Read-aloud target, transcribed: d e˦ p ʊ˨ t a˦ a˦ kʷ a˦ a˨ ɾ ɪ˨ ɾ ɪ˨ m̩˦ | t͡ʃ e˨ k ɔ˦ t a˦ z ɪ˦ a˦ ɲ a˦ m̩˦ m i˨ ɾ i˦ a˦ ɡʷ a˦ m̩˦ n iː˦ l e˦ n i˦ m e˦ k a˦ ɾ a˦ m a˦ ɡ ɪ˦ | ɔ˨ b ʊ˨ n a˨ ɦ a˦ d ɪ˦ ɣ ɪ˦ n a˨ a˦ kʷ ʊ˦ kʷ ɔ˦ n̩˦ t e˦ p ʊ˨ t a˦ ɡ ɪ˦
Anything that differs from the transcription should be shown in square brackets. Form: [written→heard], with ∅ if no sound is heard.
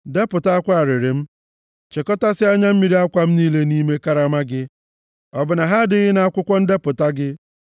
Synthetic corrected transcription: d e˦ p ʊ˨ t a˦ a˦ kʷ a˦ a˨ ɾ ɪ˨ ɾ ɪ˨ m̩˦ | t͡ʃ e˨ k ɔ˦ t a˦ [z→s] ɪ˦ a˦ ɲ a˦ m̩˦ m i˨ ɾ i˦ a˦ [ɡʷ→kʷ] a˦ m̩˦ n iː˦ l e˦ n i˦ m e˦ k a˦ ɾ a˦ m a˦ ɡ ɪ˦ | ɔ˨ b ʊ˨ n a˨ ɦ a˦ d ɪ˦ ɣ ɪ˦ n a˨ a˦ kʷ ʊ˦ kʷ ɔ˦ n̩˦ [t→d] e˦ p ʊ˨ t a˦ ɡ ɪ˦